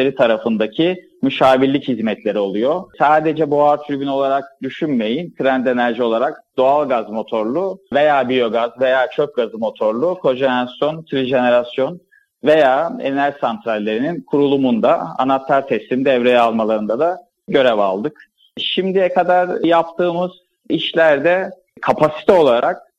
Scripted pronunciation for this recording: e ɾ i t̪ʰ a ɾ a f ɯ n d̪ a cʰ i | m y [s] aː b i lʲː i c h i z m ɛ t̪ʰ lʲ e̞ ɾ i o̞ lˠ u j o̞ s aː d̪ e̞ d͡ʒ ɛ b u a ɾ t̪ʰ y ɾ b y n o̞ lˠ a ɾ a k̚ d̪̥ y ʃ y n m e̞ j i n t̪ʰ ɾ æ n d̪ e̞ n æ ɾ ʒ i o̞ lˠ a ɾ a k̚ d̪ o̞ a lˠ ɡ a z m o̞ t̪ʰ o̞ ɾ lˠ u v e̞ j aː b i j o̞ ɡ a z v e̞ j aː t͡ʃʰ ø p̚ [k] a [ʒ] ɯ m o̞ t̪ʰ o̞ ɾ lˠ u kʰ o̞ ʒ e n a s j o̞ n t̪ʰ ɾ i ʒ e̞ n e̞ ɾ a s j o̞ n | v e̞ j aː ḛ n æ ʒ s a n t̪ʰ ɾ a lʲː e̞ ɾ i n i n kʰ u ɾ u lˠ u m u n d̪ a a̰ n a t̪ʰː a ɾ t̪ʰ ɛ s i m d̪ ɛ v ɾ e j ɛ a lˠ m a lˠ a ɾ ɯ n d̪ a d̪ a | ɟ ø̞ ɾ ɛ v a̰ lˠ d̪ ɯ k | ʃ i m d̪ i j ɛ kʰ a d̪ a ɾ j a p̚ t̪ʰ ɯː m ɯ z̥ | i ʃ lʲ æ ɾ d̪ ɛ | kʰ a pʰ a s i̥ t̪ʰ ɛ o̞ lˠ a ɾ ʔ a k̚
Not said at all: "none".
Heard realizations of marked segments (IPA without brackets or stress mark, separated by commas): ʃ, ɡ, z